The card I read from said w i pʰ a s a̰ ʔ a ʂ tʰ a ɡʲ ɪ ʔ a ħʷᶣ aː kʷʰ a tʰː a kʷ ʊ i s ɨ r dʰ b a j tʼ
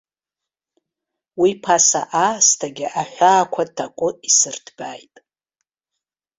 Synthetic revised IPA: w i pʰ a s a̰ ʔ a s tʰ a ɡʲ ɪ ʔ a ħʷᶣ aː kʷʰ a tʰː a kʷʼ ʊ i s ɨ r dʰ b a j tʼ